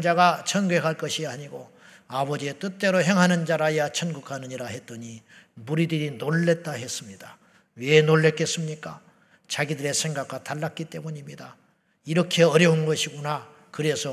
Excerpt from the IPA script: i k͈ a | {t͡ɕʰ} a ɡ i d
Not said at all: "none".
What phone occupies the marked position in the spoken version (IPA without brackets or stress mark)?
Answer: t͡ɕ